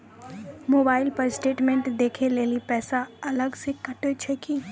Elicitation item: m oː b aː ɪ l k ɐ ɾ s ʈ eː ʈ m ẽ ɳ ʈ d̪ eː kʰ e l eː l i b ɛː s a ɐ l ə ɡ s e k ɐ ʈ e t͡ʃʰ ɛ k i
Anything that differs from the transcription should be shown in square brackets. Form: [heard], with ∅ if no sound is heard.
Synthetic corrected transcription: m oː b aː ɪ l [p] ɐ ɾ s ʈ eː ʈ m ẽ ɳ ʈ d̪ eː kʰ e l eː l i [p] ɛː s a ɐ l ə ɡ s e k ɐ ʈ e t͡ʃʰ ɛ k i